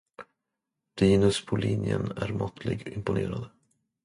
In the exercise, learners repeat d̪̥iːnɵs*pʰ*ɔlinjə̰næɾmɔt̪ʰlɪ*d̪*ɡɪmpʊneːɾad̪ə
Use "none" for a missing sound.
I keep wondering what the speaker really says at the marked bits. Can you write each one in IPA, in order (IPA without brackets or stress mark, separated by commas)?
pʰ, none